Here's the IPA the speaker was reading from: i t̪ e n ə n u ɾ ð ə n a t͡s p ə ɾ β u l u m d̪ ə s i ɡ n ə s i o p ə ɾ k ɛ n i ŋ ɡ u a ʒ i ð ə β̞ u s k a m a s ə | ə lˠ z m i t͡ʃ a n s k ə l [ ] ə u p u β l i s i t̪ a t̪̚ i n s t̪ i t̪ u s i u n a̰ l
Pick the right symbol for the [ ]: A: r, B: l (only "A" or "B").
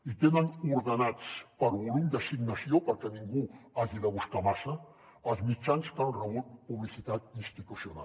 A